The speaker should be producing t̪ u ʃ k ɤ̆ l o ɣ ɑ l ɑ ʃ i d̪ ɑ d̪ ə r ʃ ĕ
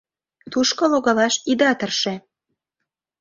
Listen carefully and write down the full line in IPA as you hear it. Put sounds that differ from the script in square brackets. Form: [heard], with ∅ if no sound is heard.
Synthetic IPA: t̪ u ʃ k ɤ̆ l o ɣ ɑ l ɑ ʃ i d̪ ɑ [t̪] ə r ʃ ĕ